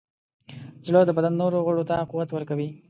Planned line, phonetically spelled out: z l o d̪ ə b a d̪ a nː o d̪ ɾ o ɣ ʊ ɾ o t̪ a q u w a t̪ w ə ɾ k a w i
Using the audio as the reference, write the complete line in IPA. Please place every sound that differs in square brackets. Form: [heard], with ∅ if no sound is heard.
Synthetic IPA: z l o d̪ ə b a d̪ a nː o [∅] ɾ o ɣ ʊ [ɽ] o t̪ a q u w a t̪ w ə ɾ k a w i